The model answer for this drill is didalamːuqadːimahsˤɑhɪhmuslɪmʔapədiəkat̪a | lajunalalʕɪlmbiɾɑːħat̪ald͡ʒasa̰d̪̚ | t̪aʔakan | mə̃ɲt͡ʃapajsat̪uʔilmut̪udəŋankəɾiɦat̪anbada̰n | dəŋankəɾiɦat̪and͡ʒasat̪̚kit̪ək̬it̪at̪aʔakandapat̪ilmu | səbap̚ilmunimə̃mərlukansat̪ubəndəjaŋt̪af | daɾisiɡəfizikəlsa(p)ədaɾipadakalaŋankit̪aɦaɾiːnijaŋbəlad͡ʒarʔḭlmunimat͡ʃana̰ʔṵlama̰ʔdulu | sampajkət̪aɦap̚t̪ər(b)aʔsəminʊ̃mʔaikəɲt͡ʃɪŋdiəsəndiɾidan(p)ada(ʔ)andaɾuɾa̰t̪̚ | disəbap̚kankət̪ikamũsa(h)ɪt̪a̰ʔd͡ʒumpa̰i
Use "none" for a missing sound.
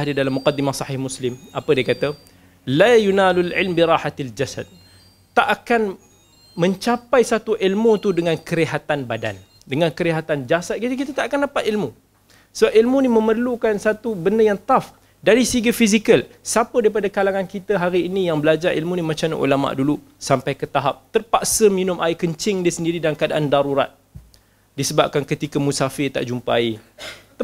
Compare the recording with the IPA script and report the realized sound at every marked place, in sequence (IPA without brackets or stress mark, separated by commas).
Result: p, p, k, ʔ, f